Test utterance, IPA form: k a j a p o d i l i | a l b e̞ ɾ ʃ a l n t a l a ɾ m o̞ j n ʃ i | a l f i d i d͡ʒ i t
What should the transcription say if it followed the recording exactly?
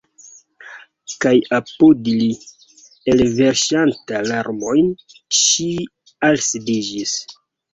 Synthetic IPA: k a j a p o d i l i | e l v e̞ ɾ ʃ a n t a l a ɾ m o̞ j n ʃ i | a l s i d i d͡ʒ i s